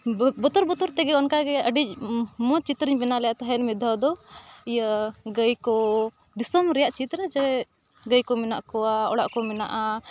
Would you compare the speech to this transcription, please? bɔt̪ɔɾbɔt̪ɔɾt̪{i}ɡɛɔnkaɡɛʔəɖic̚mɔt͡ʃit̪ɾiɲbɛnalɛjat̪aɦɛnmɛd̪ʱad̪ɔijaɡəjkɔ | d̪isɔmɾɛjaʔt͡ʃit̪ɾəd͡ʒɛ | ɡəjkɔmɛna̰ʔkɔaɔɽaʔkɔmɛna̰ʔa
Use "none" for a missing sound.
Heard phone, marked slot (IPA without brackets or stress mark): ɛ